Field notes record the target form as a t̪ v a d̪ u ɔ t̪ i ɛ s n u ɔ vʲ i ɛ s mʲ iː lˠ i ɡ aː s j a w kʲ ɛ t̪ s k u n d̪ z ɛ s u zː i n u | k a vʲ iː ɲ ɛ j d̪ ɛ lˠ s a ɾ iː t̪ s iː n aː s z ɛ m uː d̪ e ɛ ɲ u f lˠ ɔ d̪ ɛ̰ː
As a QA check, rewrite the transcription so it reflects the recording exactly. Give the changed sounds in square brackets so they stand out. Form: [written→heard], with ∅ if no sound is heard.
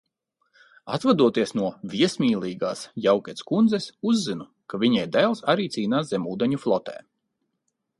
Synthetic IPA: a t̪ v a d̪ u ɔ t̪ i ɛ s n u ɔ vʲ i ɛ s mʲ iː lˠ [i→iː] ɡ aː s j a w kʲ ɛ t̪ s k u n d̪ z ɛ s u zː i n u | k a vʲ [iː→i] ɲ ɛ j d̪ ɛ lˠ s a ɾ iː t̪ s iː n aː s z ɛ m uː d̪ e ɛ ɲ u f lˠ ɔ [d̪→t̪] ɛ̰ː